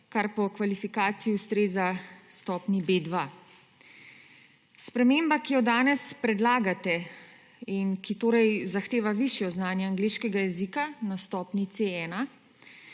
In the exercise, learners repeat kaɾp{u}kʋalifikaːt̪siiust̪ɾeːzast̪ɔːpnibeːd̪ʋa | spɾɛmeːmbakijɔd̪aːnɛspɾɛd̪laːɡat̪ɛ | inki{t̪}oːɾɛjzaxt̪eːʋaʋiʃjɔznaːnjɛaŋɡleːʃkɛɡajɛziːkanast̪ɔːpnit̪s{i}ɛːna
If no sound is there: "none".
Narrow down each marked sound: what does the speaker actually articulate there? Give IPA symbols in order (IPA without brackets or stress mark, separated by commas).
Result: ɔ, t̪, e